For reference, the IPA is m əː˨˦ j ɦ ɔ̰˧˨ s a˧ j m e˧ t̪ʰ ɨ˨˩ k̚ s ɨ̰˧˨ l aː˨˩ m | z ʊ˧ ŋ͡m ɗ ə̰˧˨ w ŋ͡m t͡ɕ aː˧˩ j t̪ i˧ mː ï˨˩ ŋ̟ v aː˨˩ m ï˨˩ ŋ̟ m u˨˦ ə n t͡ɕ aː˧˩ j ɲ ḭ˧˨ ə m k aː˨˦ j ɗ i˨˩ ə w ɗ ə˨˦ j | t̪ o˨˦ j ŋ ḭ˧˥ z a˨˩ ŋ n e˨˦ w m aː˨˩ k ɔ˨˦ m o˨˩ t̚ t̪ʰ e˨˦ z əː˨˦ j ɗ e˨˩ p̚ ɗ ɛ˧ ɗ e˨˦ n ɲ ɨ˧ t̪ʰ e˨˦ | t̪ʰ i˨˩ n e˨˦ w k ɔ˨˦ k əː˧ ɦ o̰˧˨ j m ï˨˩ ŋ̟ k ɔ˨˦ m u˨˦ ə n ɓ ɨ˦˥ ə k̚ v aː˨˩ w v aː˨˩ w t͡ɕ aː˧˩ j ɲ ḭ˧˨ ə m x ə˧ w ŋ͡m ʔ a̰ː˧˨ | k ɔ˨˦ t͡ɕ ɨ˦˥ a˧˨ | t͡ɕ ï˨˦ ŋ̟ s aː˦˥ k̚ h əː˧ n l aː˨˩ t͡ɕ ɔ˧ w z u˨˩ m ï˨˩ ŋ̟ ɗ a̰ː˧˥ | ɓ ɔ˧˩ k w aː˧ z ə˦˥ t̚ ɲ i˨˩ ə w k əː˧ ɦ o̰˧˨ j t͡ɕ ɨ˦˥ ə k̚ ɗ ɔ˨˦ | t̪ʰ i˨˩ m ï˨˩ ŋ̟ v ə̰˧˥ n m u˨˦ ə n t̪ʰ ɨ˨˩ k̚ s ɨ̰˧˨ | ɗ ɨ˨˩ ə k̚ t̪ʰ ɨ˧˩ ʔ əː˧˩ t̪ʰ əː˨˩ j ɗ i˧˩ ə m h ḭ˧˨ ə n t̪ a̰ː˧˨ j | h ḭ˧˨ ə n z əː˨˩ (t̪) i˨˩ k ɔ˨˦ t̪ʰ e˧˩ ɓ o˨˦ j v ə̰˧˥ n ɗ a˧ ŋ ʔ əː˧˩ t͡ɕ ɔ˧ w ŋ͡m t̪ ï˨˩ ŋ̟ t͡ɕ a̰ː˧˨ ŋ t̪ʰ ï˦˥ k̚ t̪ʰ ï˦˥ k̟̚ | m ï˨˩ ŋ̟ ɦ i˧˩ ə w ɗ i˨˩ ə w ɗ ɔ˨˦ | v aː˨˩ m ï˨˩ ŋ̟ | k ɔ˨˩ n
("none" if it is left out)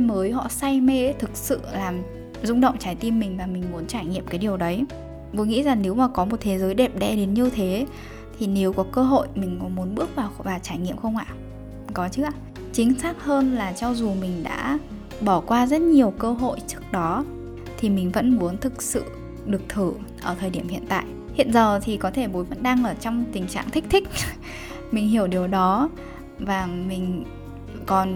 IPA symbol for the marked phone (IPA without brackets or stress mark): t̪ʰ